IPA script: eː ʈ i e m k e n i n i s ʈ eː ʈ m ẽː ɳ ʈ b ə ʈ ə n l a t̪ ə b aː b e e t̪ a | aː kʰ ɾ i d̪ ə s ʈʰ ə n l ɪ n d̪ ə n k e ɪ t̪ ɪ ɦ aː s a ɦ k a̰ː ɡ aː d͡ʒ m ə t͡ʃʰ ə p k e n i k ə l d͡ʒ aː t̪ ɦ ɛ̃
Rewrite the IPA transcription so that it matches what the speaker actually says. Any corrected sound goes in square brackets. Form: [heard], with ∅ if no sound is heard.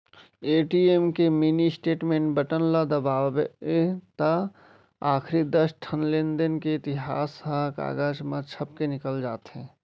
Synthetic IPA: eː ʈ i e m k e [m] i n i s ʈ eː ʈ m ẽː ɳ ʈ b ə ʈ ə n l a [d̪] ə b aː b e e t̪ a | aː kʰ ɾ i d̪ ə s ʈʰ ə n l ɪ n d̪ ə n k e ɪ t̪ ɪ ɦ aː s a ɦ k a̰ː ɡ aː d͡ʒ m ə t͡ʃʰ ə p k e n [ɪ] k ə l d͡ʒ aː t̪ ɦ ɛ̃

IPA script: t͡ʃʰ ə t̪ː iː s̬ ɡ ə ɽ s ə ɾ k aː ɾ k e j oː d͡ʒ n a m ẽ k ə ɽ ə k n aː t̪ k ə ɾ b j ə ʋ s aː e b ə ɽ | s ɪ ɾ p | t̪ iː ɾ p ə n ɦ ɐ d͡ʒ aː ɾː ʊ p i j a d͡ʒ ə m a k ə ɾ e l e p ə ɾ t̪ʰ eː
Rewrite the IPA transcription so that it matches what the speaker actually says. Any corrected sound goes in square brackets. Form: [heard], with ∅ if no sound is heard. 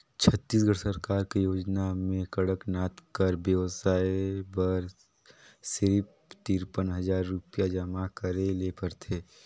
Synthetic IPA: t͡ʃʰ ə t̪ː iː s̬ ɡ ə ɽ s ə ɾ k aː ɾ k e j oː d͡ʒ n a m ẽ k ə ɽ ə k n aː t̪ k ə ɾ b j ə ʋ s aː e b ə [ɾ] | s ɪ ɾ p | t̪ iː ɾ p ə n ɦ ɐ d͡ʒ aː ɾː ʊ p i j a d͡ʒ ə m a k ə ɾ e l e p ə ɾ t̪ʰ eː

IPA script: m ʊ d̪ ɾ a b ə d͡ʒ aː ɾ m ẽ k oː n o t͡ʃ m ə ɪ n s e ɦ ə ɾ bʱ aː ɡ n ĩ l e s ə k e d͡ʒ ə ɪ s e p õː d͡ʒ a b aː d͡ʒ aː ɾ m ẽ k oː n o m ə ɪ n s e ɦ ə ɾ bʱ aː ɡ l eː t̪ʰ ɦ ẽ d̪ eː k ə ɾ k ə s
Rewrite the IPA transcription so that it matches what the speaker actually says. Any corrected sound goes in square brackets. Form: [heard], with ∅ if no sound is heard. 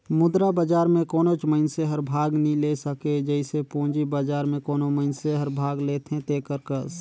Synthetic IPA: m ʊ d̪ ɾ a b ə d͡ʒ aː ɾ m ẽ k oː n o t͡ʃ m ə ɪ n s e ɦ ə ɾ bʱ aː ɡ n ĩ l e s ə k e d͡ʒ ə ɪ s e p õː d͡ʒ [i] b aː d͡ʒ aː ɾ m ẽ k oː n o m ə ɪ n s e ɦ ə ɾ bʱ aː ɡ l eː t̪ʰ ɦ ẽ [t̪] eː k ə ɾ k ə s

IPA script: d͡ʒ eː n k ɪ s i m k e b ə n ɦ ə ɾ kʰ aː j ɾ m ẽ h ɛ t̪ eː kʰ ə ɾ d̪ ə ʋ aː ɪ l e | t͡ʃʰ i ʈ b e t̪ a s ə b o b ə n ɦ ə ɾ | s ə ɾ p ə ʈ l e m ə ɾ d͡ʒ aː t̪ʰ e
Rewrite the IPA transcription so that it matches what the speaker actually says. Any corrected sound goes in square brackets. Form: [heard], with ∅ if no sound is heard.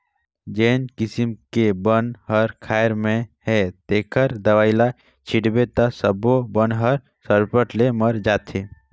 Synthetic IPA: d͡ʒ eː n k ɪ s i m k e b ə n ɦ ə ɾ kʰ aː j ɾ m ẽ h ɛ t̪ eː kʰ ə ɾ d̪ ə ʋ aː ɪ l [a] | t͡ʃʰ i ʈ b e t̪ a s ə b o b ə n ɦ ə ɾ | s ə ɾ p ə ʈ l e m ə ɾ d͡ʒ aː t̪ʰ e

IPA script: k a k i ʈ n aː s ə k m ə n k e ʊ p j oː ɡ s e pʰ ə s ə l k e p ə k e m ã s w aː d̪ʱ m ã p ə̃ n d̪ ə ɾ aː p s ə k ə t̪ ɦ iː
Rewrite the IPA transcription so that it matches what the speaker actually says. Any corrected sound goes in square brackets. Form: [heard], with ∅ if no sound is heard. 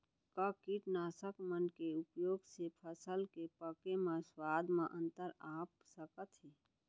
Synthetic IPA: k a k i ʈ n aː s ə k m ə n k e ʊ p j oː ɡ s e pʰ ə s ə l k e p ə k e m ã s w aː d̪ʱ m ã [ʔ] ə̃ n [t̪] ə ɾ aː p s ə k ə t̪ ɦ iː

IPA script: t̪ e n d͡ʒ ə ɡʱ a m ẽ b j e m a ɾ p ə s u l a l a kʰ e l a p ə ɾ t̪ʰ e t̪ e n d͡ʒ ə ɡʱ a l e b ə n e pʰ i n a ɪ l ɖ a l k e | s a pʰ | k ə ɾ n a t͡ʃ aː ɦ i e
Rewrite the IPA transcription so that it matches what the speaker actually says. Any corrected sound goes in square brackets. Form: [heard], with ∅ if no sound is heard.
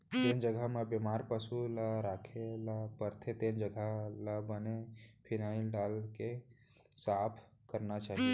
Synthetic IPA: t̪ e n d͡ʒ ə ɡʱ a m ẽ b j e m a ɾ p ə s u l a [ɾ] a kʰ e l a p ə ɾ t̪ʰ e t̪ e n d͡ʒ ə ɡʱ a l [a] b ə n e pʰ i n a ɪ l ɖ a l k e | s a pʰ | k ə ɾ n a t͡ʃ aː ɦ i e

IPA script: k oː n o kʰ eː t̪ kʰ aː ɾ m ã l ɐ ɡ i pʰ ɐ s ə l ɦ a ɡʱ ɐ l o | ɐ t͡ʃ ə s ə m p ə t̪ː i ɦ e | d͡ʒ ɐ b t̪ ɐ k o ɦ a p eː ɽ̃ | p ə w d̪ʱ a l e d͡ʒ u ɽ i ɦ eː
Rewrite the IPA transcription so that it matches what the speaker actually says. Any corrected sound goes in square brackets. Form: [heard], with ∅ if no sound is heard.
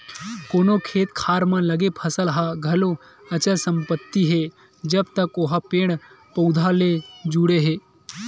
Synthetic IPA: k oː n o kʰ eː t̪ kʰ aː ɾ m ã l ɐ ɡ [e] pʰ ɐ s ə l ɦ a ɡʱ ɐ l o | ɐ t͡ʃ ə s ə m p ə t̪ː i ɦ e | d͡ʒ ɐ b t̪ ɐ k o ɦ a p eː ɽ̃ | p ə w d̪ʱ a l e d͡ʒ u ɽ [e] ɦ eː

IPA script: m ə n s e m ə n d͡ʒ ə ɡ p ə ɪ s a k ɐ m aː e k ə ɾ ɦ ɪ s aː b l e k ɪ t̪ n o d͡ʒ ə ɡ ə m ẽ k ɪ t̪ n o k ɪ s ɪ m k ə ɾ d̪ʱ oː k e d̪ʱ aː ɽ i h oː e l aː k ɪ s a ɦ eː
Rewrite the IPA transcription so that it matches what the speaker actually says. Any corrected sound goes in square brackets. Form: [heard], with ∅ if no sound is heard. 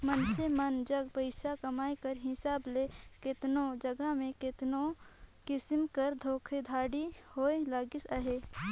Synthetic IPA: m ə n s e m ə n d͡ʒ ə ɡ p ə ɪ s a k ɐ m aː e k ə ɾ ɦ ɪ s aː b l e k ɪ t̪ n o d͡ʒ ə ɡ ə m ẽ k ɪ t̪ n o k ɪ s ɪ m k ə ɾ d̪ʱ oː [kʰ] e d̪ʱ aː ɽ i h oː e l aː [ɡ] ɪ s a ɦ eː

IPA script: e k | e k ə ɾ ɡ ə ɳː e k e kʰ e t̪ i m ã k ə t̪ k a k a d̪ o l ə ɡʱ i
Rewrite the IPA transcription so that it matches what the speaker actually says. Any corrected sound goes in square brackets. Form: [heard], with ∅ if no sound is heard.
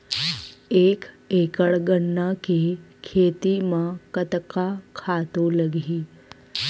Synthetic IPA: e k | e k ə [ɭ] ɡ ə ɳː [a] k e kʰ e t̪ i m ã k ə t̪ k a [kʰ] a [t̪] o l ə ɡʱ i

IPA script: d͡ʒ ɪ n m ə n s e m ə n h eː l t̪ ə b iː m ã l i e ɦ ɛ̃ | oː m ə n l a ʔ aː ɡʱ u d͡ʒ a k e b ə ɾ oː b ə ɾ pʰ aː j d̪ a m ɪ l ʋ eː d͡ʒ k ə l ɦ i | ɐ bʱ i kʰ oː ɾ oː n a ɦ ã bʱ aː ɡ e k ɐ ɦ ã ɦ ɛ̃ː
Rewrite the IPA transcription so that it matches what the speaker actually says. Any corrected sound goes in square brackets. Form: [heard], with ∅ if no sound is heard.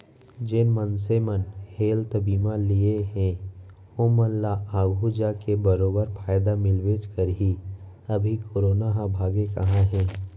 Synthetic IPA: d͡ʒ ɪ n m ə n s e m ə n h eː l t̪ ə b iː m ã l i e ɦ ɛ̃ | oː m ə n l a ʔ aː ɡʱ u d͡ʒ a k e b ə ɾ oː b ə ɾ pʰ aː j d̪ a m ɪ l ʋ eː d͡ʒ k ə [ɾ] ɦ i | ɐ bʱ i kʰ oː ɾ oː n a ɦ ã bʱ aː ɡ e k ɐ ɦ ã ɦ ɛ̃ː

